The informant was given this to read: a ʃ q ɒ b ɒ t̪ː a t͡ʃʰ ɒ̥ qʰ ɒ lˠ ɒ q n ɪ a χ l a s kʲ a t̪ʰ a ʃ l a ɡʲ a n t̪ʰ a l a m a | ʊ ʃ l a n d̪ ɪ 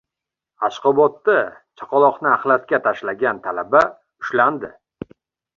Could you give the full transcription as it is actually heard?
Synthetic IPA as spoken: a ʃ q ɒ b ɒ t̪ː a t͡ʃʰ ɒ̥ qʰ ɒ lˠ ɒ q n ɪ a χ l a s kʲ a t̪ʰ a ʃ l a ɡʲ a n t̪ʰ a l a b a | ʊ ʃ l a n d̪ ɪ